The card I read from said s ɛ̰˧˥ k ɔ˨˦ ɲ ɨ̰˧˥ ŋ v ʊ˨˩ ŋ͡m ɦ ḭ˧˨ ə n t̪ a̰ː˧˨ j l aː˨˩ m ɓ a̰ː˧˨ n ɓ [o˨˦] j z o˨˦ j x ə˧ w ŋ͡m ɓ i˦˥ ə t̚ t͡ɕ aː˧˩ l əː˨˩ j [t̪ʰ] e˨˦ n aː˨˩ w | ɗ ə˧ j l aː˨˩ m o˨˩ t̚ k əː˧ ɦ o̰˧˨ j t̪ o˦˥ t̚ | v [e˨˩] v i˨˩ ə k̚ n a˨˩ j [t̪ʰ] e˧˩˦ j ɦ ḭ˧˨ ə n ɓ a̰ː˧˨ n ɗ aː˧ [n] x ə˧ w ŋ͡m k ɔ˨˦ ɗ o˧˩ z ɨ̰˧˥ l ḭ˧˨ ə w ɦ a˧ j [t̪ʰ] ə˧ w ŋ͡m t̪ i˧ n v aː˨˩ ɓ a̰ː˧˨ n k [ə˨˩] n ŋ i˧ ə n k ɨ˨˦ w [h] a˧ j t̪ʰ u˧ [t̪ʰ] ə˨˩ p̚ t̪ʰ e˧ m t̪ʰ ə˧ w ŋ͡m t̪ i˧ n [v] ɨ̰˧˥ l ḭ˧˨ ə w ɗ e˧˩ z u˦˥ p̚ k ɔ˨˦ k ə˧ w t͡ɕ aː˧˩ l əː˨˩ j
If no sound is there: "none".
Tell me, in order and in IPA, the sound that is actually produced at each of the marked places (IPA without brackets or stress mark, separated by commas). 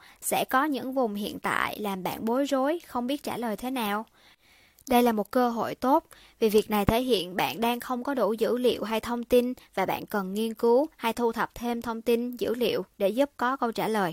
o˨˦, t̪ʰ, i˨˩, t̪ʰ, ŋ, t̪ʰ, ə˨˩, h, t̪ʰ, z